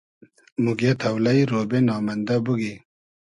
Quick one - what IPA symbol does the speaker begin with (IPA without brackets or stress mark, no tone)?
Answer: m